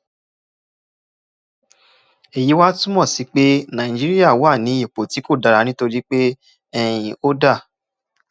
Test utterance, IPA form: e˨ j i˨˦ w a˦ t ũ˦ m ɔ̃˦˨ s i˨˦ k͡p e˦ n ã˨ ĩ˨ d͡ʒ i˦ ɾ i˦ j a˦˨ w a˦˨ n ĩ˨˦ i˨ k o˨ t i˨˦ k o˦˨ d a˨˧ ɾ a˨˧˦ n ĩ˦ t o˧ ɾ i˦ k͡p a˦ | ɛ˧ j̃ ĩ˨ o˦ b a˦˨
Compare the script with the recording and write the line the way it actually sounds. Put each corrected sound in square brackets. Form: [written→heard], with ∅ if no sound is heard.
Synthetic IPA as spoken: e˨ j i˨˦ w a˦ t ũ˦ m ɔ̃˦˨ s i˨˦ k͡p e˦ n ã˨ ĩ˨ d͡ʒ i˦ ɾ i˦ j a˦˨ w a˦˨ n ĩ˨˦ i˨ [k→k͡p] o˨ t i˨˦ k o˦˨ d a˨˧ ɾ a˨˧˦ n ĩ˦ t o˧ ɾ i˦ k͡p [a˦→e˦] | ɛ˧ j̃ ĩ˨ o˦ [b→d] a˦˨